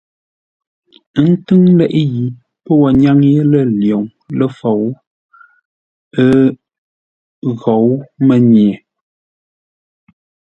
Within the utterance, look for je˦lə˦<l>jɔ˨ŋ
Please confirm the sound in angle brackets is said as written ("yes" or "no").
yes